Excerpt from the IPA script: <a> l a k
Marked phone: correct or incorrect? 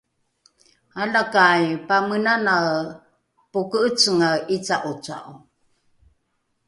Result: correct